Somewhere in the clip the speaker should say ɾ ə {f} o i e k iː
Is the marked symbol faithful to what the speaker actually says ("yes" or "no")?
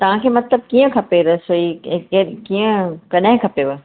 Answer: no